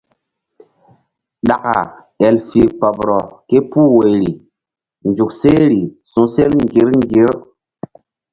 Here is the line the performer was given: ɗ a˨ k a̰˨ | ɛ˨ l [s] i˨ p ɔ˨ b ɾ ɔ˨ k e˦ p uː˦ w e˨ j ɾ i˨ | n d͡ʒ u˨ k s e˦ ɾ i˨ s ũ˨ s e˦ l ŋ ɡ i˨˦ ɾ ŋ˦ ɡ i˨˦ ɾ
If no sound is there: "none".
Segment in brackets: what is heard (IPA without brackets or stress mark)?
f